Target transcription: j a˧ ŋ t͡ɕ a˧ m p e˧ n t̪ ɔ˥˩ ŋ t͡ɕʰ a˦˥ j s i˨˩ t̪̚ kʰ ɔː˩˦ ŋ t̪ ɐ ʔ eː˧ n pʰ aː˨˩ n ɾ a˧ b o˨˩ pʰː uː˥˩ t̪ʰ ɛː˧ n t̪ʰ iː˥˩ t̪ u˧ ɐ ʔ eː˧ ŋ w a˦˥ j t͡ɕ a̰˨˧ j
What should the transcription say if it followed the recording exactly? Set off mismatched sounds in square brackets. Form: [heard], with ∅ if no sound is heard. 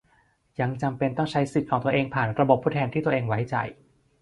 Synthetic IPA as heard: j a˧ ŋ t͡ɕ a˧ m p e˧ n t̪ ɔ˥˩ ŋ t͡ɕʰ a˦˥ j s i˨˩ t̪̚ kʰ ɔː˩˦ ŋ t̪ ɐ ʔ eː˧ [ŋ] pʰ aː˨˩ n ɾ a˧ b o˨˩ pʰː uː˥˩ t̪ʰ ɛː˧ n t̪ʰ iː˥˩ t̪ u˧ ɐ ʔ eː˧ ŋ w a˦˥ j t͡ɕ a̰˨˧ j